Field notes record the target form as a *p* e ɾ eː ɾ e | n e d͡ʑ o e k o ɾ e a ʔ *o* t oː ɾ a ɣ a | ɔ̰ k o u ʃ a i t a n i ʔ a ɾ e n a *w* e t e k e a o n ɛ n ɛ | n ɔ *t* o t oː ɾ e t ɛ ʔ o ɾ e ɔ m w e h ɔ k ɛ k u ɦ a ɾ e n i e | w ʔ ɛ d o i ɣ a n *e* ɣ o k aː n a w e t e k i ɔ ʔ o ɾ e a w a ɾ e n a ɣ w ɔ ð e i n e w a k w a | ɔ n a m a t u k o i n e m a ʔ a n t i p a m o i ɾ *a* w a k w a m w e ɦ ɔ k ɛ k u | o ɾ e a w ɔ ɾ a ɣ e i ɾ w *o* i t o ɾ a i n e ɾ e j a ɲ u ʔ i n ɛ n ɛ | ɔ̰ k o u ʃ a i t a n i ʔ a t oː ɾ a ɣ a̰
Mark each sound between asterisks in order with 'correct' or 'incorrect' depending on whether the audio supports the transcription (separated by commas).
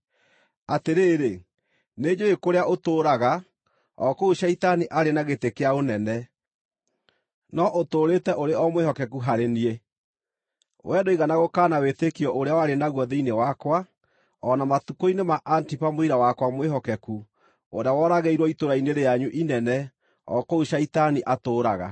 incorrect, correct, incorrect, incorrect, incorrect, correct, incorrect